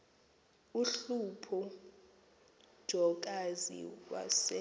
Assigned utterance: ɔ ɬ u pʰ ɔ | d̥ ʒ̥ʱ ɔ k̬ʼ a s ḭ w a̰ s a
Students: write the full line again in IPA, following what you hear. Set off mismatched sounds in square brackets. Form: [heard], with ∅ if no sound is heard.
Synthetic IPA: [u] ɬ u pʰ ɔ | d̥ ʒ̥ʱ ɔ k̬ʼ a [z] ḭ w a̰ s [ɛ]

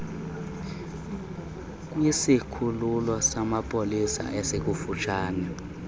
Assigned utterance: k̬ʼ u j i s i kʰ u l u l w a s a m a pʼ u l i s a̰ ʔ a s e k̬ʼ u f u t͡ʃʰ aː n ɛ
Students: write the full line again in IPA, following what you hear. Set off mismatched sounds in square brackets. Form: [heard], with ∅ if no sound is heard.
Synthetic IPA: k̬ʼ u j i s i kʰ u l u l w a s a m a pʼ [o] l i s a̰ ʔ [ɛ] s e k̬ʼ u f u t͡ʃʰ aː n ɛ

